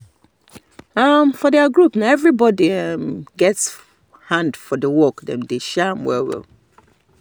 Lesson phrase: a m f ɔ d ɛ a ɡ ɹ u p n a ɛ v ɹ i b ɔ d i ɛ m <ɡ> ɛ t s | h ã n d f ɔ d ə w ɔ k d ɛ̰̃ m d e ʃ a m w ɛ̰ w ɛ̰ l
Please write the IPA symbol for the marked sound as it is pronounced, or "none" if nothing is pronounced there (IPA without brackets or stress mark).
ɡ